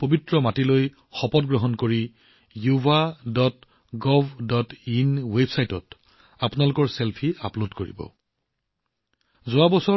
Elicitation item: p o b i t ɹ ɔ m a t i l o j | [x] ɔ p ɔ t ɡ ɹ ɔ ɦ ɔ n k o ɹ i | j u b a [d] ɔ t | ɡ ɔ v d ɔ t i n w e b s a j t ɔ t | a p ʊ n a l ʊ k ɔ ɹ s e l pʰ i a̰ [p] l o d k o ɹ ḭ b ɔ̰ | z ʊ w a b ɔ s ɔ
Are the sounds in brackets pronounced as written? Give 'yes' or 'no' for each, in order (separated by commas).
yes, yes, yes